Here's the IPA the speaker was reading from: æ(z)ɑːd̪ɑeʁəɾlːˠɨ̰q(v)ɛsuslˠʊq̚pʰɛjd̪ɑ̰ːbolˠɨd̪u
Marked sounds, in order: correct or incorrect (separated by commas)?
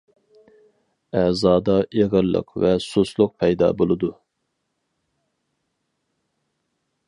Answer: correct, correct